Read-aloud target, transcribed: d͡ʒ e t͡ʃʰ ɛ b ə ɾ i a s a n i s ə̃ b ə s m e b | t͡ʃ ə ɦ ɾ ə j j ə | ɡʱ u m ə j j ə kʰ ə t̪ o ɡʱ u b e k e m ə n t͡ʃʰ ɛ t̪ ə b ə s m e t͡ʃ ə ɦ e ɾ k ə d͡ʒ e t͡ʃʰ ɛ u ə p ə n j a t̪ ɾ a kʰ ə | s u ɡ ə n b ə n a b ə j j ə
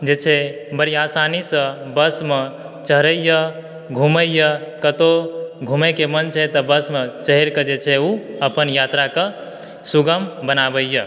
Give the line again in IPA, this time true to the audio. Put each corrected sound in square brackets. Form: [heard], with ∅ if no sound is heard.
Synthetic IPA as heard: d͡ʒ e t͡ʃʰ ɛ b ə ɾ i a s a n i s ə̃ b ə s m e [∅] | t͡ʃ ə ɦ ɾ ə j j ə | ɡʱ u m ə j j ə [k] ə t̪ o ɡʱ u [m] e k e m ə n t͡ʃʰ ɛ t̪ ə b ə s m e t͡ʃ ə ɦ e ɾ k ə d͡ʒ e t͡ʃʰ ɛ u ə p ə n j a t̪ ɾ a [k] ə | s u ɡ ə [m] b ə n a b ə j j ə